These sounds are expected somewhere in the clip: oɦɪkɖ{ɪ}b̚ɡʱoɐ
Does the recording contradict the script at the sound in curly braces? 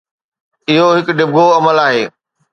no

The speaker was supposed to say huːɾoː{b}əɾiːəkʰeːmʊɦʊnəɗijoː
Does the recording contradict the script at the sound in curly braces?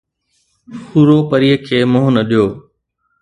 yes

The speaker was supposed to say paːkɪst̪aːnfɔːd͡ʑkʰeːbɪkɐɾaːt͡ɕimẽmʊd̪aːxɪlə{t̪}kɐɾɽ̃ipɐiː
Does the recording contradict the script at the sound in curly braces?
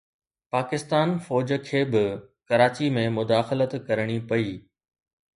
no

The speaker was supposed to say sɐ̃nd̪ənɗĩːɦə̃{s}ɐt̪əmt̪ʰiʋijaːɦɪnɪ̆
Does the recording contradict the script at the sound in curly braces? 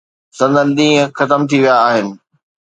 yes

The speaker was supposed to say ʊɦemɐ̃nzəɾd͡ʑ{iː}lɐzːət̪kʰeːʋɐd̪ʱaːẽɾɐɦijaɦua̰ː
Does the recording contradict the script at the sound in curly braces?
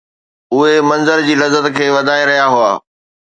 no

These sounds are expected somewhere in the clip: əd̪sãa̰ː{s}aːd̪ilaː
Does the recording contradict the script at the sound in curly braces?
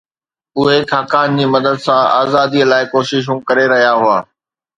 yes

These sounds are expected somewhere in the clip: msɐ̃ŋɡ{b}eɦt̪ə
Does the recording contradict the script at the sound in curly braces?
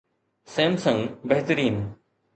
no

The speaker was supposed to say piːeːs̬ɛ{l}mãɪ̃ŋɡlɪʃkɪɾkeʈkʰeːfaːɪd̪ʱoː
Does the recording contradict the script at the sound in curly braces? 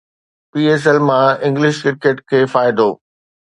no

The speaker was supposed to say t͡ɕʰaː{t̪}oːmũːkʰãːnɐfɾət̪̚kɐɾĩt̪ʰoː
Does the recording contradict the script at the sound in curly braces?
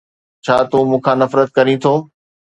no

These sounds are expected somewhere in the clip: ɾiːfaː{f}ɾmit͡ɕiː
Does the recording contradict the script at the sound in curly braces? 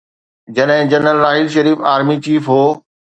yes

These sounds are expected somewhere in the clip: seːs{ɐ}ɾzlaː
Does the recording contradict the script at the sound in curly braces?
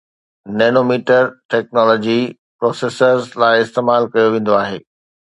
yes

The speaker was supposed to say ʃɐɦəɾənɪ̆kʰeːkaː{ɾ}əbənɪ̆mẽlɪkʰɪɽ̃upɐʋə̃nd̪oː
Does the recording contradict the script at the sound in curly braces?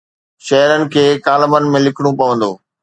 yes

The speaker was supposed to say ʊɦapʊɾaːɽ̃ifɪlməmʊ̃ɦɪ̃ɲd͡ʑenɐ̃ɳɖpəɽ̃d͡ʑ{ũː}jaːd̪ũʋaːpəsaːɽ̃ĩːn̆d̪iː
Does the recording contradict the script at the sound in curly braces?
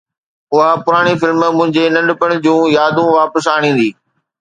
no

